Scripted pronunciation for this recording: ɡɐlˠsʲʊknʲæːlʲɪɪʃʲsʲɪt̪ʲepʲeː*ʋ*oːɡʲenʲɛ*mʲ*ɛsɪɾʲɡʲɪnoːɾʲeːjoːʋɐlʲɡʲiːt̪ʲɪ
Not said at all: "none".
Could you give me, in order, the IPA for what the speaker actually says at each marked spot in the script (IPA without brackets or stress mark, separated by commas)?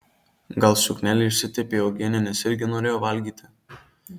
none, nʲ